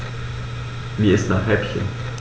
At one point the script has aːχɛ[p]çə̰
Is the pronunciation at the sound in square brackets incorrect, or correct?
correct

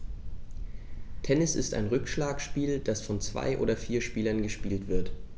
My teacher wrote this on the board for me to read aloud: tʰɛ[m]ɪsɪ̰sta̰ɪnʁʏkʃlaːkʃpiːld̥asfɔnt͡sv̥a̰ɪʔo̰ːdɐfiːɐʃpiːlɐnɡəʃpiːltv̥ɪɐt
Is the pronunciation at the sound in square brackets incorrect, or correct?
incorrect: n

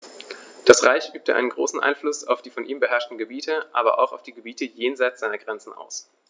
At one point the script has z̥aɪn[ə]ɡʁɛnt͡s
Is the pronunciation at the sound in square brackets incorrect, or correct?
incorrect: ɐ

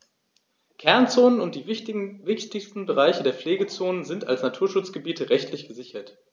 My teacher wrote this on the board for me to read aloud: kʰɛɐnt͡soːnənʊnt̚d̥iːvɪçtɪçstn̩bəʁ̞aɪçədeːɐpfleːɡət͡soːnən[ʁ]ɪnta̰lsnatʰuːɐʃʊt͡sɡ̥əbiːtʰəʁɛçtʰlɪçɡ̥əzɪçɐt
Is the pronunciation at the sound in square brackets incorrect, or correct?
incorrect: z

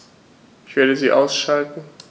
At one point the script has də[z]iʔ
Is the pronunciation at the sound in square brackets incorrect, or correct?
correct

